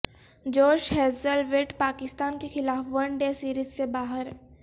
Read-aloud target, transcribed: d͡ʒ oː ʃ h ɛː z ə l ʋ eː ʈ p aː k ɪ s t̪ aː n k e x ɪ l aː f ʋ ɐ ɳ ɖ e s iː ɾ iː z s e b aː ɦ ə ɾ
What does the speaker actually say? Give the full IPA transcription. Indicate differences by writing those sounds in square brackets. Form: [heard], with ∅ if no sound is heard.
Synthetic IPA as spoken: d͡ʒ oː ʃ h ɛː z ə l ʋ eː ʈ p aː k ɪ s t̪ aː n k e x ɪ l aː f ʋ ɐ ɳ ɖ e s iː ɾ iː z s e b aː ɦ ə ɾ